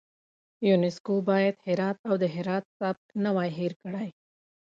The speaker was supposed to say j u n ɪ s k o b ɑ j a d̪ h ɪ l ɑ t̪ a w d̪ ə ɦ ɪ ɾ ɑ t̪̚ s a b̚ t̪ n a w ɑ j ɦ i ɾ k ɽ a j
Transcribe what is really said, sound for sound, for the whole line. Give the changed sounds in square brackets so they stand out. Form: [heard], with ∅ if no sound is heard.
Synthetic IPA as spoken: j u n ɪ s k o b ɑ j a d̪ h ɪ [ɾ] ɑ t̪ a w d̪ ə ɦ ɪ ɾ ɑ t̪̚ s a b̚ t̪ n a w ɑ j ɦ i ɾ k ɽ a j